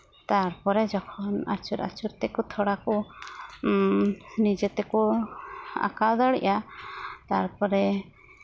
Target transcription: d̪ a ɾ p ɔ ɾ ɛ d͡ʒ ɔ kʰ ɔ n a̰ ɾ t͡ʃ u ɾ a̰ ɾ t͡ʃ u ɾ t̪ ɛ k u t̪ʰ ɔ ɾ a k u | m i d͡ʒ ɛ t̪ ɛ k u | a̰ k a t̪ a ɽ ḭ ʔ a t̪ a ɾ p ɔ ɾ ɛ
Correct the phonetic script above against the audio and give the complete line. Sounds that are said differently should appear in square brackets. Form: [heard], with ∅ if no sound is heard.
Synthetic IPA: [t̪] a ɾ p ɔ ɾ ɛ d͡ʒ ɔ kʰ ɔ n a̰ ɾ t͡ʃ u ɾ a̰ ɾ t͡ʃ u ɾ t̪ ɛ k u t̪ʰ ɔ [ɽ] a k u | [n] i d͡ʒ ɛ t̪ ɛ k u | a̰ k a [d̪] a ɽ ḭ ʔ a t̪ a ɾ p ɔ ɾ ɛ